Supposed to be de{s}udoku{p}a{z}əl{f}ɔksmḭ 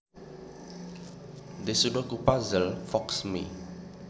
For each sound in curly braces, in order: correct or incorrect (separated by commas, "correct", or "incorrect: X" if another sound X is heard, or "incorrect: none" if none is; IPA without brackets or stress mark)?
correct, correct, correct, correct